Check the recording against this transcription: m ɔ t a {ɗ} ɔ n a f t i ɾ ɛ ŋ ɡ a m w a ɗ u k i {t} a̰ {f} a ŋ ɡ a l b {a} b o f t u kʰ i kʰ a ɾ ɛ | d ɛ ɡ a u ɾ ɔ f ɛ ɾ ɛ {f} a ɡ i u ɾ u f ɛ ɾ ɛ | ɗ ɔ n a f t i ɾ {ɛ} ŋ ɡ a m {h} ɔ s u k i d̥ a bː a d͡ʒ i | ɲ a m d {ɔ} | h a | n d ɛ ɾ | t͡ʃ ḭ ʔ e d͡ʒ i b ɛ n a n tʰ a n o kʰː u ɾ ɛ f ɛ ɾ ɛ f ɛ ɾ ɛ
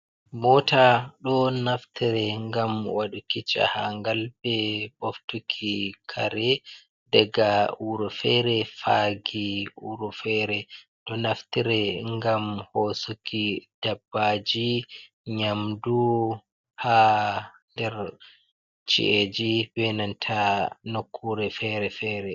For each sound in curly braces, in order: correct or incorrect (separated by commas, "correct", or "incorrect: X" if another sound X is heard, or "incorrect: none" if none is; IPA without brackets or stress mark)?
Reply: correct, incorrect: t͡ʃ, incorrect: h, incorrect: ɛ, correct, correct, correct, incorrect: u